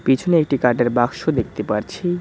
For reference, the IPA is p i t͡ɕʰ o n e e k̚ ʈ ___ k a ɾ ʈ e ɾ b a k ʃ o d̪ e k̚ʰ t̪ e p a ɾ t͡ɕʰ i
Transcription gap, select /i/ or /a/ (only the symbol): i